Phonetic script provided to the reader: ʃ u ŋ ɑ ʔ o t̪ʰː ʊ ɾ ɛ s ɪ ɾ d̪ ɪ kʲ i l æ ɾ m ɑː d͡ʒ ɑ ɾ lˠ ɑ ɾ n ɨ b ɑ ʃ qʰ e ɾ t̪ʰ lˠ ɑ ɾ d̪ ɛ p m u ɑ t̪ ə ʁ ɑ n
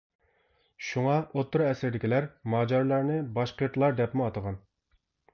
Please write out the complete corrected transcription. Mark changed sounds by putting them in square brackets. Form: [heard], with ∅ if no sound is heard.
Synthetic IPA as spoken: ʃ u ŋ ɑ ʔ o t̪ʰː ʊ ɾ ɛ s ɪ ɾ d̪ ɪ kʲ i l æ ɾ m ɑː d͡ʒ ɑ ɾ lˠ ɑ ɾ n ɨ b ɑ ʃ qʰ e ɾ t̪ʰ lˠ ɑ ɾ d̪ ɛ p m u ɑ t̪ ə ʁ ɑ n